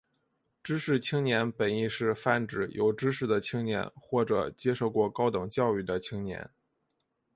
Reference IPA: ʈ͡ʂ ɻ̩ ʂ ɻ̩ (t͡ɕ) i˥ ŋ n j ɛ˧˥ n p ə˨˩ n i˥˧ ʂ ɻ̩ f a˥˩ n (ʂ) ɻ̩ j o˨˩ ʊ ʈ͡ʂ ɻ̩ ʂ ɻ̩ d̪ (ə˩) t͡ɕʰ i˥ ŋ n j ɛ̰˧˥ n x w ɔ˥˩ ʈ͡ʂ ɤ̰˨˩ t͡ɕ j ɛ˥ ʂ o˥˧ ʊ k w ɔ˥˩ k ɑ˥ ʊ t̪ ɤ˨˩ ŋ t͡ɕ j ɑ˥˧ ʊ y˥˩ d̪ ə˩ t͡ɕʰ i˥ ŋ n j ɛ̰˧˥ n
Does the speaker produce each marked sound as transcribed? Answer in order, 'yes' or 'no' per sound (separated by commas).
no, no, yes